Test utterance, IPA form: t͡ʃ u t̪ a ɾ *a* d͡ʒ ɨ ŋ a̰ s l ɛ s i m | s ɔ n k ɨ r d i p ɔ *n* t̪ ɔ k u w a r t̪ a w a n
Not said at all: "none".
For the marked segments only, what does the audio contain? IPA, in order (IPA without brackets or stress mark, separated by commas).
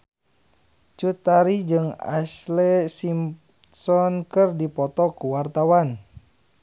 i, none